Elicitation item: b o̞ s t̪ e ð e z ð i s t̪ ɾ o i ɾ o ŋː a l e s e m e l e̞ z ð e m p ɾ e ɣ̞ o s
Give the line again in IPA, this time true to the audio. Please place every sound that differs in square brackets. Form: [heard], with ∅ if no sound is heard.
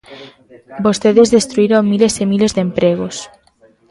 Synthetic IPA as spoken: b o̞ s t̪ e ð e z ð [e] s t̪ ɾ [u] i ɾ o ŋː [i] l e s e m [i] l e̞ z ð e m p ɾ e ɣ̞ o s